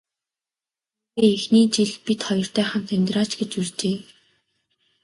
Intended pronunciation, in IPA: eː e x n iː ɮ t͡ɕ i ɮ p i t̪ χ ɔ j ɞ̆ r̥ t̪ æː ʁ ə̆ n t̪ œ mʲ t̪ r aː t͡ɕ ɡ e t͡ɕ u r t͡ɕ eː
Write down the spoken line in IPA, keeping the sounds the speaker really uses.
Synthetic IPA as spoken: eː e x n iː t͡ɕ i ɮ p i t̪ χ ɔ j ɞ̆ r̥ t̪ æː χ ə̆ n t̪ʰ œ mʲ t̪ r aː t͡ɕ ɡ e t͡ɕ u r t͡ɕ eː